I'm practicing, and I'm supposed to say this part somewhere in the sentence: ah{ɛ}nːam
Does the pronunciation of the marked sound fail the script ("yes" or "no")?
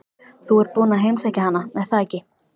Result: yes